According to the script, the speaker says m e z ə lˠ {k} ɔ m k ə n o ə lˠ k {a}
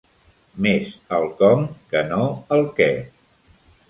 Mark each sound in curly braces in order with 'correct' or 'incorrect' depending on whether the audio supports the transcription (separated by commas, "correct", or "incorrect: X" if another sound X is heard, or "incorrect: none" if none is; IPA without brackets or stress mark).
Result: correct, incorrect: ɛ